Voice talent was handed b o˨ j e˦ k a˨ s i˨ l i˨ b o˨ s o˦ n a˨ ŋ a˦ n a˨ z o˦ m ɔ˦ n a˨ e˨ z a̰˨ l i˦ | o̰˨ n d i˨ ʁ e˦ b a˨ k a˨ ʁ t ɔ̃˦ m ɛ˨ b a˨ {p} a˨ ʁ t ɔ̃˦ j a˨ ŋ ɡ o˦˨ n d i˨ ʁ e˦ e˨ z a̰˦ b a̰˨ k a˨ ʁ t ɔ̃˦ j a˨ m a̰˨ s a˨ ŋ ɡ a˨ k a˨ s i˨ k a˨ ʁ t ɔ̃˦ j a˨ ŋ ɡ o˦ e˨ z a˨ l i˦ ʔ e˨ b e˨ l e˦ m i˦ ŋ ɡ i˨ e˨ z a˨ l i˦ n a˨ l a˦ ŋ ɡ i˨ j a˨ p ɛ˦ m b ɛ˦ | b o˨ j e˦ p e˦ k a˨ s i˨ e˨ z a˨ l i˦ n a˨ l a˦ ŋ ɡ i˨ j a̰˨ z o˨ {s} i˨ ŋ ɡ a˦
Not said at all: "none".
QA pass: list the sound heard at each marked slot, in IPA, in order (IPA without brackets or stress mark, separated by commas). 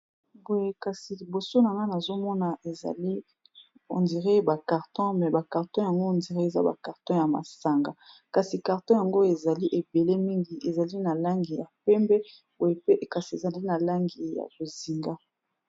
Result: k, z